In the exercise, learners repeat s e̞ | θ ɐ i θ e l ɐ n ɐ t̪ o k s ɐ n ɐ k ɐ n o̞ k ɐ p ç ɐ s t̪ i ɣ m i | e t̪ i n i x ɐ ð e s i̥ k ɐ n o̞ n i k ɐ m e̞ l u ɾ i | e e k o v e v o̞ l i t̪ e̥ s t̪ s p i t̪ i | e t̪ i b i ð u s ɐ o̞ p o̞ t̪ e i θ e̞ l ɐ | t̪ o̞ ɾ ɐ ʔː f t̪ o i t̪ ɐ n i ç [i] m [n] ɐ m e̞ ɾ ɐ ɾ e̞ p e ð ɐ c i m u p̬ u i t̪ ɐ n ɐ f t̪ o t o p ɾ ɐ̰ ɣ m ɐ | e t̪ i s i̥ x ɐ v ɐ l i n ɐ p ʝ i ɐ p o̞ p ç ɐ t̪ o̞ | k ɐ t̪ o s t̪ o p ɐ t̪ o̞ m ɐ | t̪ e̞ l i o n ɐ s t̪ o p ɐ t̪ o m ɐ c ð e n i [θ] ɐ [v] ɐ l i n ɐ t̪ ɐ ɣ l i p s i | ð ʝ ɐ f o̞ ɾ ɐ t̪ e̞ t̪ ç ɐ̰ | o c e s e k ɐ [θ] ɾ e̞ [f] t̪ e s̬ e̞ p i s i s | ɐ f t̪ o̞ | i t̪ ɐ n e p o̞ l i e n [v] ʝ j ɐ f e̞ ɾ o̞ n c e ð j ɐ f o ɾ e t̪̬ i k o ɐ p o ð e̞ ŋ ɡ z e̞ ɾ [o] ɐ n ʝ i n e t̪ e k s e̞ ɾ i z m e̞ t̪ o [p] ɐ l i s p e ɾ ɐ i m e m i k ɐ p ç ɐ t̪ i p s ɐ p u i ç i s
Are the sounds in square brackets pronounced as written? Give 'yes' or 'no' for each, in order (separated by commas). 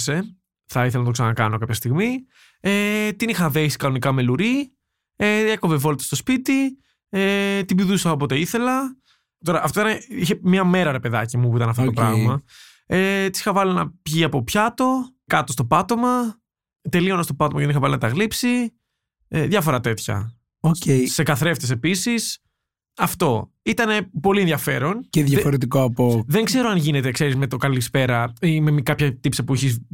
no, no, no, yes, yes, yes, no, yes, no